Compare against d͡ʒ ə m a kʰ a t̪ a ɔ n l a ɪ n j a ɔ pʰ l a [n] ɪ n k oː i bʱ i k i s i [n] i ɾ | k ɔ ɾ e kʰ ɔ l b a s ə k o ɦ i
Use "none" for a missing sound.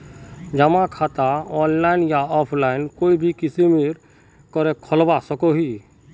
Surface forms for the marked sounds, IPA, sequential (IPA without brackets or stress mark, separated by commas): none, m